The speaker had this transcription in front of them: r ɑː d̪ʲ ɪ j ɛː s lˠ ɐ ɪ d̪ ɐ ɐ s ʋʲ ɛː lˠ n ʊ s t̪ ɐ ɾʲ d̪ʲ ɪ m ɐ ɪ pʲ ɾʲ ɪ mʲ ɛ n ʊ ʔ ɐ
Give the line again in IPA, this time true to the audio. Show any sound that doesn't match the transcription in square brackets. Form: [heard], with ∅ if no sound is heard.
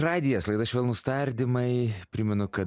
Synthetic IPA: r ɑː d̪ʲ ɪ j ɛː s lˠ ɐ ɪ d̪ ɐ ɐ [ʃ] ʋʲ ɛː lˠ n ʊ s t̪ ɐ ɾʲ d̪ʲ ɪ m ɐ ɪ pʲ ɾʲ ɪ mʲ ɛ n ʊ [k] ɐ